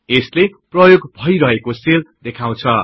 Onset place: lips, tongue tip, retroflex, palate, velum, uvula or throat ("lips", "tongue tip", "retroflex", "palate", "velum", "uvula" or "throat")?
tongue tip